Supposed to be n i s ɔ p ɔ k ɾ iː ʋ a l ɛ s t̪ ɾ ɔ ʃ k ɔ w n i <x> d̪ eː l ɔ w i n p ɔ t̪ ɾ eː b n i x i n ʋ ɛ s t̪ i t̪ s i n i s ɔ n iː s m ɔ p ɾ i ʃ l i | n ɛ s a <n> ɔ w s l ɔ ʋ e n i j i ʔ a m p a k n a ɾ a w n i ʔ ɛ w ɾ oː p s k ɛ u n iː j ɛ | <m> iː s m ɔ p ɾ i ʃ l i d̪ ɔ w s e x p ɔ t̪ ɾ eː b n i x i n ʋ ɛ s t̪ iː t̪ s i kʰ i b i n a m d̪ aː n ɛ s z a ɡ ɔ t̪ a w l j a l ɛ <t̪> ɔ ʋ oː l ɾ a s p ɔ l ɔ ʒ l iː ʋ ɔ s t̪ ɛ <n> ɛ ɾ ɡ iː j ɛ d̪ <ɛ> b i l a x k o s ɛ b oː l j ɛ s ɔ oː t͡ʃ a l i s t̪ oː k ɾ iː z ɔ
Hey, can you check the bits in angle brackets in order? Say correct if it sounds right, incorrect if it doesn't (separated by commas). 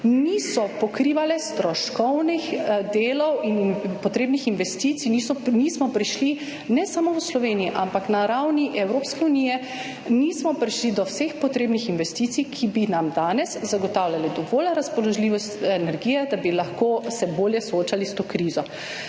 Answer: correct, incorrect, incorrect, incorrect, correct, incorrect